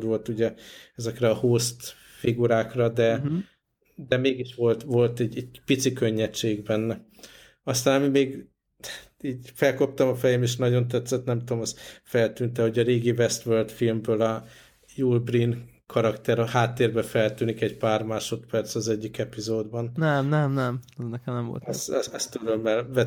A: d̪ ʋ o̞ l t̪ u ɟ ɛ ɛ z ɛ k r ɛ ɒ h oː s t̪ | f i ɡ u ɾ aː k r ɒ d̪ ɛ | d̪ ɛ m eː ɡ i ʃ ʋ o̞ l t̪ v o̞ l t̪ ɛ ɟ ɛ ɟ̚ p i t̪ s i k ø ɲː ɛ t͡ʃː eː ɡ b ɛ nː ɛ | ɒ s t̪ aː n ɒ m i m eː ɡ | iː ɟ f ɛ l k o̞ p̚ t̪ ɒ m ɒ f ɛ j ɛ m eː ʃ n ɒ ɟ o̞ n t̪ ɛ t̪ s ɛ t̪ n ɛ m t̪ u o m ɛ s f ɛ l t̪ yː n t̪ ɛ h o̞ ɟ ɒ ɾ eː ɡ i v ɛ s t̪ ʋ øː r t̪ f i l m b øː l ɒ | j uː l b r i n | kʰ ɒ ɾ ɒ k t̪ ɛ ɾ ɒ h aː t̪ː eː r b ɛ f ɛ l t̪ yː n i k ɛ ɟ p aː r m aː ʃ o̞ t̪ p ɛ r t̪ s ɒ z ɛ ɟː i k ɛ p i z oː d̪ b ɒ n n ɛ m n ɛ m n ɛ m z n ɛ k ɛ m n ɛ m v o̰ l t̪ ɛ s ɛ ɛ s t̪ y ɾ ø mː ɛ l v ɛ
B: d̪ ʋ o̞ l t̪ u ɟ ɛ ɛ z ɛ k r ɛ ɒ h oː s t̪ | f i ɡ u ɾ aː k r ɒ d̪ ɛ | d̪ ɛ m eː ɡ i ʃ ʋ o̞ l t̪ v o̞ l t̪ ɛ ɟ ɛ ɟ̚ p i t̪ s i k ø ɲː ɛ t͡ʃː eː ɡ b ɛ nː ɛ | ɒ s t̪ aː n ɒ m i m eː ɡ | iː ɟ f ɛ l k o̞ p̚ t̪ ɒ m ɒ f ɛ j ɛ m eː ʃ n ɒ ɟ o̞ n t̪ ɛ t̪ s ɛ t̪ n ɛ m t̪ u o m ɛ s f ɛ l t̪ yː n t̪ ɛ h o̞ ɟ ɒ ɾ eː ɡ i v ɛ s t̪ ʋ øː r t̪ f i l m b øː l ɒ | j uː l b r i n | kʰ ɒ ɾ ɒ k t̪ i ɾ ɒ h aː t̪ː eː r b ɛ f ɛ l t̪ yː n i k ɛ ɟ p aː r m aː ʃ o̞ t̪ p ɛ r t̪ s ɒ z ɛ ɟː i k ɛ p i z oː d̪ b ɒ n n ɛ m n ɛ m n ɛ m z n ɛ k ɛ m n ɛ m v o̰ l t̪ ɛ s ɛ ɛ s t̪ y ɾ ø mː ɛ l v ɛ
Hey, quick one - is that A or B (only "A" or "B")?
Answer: A